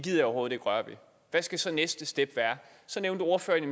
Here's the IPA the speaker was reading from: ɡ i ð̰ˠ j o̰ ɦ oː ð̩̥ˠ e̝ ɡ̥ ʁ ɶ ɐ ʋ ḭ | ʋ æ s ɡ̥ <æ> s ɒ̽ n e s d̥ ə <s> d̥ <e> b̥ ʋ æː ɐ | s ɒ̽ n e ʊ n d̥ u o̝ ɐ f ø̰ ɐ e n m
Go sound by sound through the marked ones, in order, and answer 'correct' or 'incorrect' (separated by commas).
correct, correct, correct